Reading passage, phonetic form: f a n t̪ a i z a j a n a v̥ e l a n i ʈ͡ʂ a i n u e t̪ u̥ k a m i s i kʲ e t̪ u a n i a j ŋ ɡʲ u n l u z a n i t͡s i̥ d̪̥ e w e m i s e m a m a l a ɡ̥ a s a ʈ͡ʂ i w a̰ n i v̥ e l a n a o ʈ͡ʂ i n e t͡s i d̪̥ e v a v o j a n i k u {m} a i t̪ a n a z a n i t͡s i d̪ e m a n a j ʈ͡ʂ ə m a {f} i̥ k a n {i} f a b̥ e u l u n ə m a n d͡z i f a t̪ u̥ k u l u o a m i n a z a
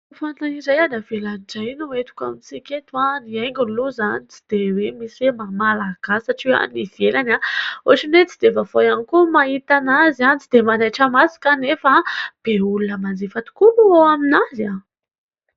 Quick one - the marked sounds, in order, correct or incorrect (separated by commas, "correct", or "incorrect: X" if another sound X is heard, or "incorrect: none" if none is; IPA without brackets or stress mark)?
correct, incorrect: s, incorrect: e